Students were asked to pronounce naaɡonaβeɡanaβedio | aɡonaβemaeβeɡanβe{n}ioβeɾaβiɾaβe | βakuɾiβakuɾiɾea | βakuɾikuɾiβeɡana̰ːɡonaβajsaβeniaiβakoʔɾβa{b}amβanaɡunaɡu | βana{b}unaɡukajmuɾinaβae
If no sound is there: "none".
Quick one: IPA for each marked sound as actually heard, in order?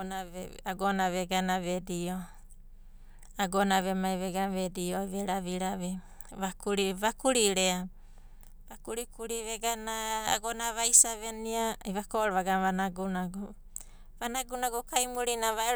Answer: d, ɡ, ɡ

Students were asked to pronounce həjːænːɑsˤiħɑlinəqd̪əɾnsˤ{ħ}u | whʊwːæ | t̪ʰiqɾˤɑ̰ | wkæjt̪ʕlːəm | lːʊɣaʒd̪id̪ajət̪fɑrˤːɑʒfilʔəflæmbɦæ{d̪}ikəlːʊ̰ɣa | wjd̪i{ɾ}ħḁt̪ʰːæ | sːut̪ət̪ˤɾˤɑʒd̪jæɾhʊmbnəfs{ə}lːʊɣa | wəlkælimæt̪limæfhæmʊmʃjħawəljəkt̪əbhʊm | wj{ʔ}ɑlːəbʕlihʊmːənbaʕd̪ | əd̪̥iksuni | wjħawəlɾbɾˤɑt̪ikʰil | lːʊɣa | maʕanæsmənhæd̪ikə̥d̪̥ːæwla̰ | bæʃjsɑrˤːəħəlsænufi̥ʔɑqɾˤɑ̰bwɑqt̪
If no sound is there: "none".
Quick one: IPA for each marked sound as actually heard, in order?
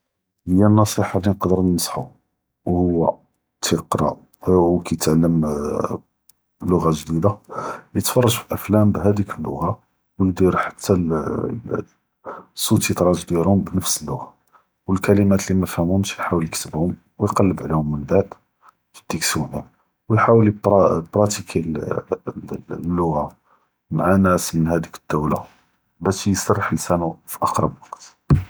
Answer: ħ, d̪, ɾ, ə, q

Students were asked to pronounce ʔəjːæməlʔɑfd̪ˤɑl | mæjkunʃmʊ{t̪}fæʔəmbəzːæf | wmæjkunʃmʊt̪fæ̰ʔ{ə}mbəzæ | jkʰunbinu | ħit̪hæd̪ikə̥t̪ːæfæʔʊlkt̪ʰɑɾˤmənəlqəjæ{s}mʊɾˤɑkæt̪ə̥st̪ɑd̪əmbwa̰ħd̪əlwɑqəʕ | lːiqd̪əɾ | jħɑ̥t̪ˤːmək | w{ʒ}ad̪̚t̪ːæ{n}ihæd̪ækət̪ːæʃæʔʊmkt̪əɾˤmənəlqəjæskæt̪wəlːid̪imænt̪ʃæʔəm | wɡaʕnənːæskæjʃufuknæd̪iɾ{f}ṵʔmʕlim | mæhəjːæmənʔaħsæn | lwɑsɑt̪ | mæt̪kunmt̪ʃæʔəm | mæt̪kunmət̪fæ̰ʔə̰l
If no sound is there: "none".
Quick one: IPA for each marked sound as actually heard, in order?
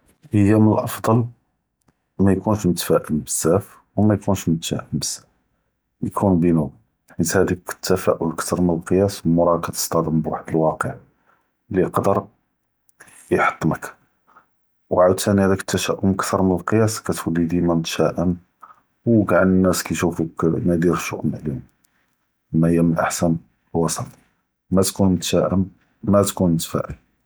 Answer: t̪, ə, s, ʕ, n, ʃ

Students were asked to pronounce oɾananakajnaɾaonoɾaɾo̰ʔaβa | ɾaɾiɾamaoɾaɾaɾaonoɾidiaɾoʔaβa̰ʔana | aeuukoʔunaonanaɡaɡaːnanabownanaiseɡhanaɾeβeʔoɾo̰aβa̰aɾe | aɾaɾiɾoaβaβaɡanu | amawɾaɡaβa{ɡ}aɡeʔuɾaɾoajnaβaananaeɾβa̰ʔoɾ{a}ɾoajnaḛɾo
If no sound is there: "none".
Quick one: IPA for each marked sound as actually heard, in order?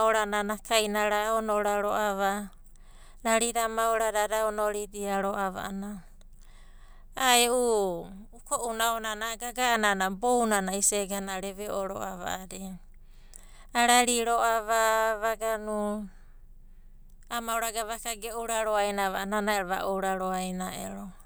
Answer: k, a

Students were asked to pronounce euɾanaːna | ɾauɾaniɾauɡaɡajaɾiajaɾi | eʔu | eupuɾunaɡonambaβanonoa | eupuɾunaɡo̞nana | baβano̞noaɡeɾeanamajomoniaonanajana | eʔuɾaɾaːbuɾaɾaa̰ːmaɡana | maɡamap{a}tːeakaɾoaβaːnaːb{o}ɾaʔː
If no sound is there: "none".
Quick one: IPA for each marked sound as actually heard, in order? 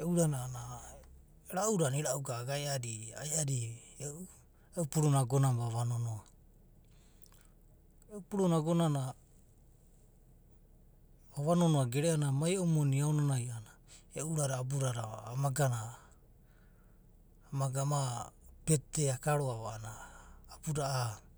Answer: e, u

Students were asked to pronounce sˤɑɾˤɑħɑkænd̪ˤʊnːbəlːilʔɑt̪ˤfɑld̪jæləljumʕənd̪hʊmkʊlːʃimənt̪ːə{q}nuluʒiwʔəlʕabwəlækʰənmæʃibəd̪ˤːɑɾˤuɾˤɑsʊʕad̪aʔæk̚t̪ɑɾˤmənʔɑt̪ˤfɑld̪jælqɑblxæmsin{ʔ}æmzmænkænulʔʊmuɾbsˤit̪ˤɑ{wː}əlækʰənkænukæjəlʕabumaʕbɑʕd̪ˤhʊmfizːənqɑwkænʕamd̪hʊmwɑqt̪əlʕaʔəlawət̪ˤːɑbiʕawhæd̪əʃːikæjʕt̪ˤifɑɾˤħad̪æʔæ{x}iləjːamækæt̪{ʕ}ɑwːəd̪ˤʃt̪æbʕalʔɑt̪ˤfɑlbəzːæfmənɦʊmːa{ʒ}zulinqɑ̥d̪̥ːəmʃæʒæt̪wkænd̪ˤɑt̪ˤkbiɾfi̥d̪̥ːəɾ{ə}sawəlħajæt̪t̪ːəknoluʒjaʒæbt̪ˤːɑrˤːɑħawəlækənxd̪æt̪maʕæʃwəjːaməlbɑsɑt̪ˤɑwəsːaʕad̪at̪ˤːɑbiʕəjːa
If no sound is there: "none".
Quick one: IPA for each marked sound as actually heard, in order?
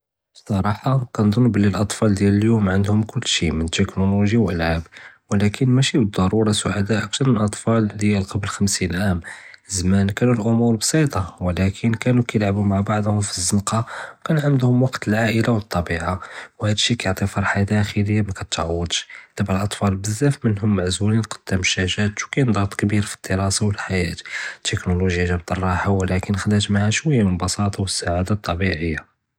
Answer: k, ʔ, w, x, ʕ, ʕ, ɑ

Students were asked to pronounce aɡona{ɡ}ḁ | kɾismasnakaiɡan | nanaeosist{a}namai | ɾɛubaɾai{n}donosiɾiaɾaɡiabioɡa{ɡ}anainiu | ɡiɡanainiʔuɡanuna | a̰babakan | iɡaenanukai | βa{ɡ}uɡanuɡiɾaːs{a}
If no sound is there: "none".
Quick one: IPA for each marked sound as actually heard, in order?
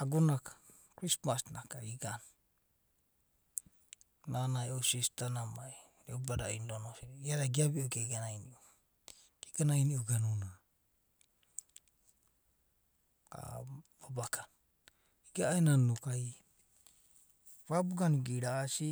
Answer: k, a, n, ɡ, b, i

